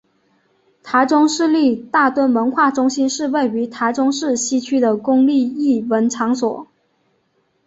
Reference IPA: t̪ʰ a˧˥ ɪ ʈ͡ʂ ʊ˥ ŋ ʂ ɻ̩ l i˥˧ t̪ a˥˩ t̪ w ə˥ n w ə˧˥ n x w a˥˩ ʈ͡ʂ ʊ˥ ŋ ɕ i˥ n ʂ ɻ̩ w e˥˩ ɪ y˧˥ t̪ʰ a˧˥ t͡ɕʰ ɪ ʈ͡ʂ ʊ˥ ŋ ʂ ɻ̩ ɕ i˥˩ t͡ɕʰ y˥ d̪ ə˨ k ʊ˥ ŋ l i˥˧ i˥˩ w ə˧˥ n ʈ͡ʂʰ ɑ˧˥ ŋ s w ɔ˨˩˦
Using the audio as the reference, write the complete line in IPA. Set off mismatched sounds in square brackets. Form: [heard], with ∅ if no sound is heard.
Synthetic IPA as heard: t̪ʰ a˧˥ ɪ ʈ͡ʂ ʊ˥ ŋ ʂ ɻ̩ l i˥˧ t̪ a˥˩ t̪ w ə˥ n w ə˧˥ n x w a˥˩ ʈ͡ʂ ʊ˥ ŋ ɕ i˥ n ʂ ɻ̩ w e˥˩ ɪ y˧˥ t̪ʰ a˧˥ [∅] ɪ ʈ͡ʂ ʊ˥ ŋ ʂ ɻ̩ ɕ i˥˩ t͡ɕʰ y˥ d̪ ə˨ k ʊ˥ ŋ l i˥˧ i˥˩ w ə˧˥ n ʈ͡ʂʰ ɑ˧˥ ŋ s w ɔ˨˩˦

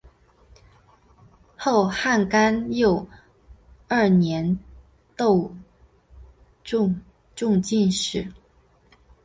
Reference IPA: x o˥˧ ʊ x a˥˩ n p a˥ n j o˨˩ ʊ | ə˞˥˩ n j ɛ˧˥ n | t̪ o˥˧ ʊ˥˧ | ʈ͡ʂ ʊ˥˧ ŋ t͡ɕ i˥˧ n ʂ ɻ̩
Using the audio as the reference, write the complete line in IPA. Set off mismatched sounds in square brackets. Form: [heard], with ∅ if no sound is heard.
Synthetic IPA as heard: x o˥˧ ʊ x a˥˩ n [k] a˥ n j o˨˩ ʊ | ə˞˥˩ n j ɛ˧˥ n | t̪ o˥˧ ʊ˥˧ | ʈ͡ʂ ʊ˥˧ ŋ t͡ɕ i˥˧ n ʂ ɻ̩

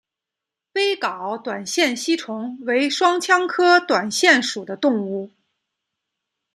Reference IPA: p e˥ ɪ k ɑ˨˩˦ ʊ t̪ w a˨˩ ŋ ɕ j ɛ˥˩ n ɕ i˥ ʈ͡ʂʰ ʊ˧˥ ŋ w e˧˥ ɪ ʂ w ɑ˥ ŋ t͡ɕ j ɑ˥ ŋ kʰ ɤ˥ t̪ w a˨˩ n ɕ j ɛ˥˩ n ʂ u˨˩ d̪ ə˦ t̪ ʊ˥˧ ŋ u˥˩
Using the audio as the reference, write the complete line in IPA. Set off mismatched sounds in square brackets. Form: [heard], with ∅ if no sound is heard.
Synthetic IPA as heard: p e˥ ɪ k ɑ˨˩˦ ʊ t̪ w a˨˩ [n] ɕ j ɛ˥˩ n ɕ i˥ ʈ͡ʂʰ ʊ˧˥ ŋ w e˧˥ ɪ ʂ w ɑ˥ ŋ [t͡ɕʰ] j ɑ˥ ŋ kʰ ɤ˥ t̪ w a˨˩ n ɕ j ɛ˥˩ n ʂ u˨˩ d̪ ə˦ t̪ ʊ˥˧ ŋ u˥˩

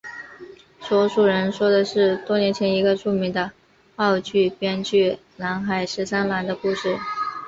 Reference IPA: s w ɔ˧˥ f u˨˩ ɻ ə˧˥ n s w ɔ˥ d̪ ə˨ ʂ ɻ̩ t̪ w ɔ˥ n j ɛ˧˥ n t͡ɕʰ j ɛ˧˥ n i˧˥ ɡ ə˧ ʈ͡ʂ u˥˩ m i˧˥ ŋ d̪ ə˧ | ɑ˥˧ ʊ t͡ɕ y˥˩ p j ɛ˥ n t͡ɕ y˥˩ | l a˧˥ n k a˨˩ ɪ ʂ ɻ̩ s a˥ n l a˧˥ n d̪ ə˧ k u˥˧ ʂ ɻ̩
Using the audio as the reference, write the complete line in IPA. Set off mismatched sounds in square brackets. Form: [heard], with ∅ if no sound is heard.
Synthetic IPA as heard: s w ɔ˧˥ [ʂ] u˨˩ ɻ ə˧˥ n [ʂ] w ɔ˥ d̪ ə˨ ʂ ɻ̩ t̪ w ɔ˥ n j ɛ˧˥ n t͡ɕʰ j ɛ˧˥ n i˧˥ ɡ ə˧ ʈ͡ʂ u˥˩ m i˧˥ ŋ d̪ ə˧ | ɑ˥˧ ʊ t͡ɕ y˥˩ p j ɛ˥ n t͡ɕ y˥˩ | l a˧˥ n [x] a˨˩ ɪ ʂ ɻ̩ s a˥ n l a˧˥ n d̪ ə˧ k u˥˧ ʂ ɻ̩

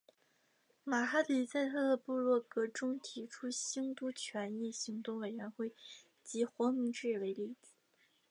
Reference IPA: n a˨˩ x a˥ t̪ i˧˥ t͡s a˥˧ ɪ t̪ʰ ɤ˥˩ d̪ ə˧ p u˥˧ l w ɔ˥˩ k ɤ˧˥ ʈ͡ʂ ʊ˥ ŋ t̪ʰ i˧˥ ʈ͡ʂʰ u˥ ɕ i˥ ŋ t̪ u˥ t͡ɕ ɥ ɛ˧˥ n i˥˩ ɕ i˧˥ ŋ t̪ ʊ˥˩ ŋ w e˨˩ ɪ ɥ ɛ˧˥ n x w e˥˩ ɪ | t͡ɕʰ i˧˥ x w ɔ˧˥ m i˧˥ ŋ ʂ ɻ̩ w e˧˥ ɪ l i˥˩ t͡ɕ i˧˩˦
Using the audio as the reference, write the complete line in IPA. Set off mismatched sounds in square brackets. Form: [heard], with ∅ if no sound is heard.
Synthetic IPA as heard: [m] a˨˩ x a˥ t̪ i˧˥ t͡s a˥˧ ɪ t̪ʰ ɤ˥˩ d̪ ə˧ p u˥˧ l w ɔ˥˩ k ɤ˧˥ ʈ͡ʂ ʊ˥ ŋ t̪ʰ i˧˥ ʈ͡ʂʰ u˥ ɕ i˥ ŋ t̪ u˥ [t͡ɕʰ] ɥ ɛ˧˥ n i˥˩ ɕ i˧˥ ŋ t̪ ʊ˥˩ ŋ w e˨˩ ɪ ɥ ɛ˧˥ n x w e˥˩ ɪ | [t͡ɕ] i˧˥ x w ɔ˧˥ m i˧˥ ŋ [ʈ͡ʂ] ɻ̩ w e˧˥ ɪ l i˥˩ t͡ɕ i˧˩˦

